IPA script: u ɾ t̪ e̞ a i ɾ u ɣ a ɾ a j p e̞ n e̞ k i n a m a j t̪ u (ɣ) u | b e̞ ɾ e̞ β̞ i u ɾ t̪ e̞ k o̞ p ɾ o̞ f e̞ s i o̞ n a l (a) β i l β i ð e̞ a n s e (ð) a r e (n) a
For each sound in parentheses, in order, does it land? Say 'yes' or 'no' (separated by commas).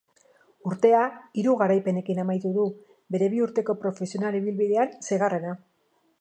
no, no, no, yes